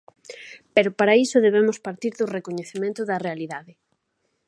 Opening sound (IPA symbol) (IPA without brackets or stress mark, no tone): p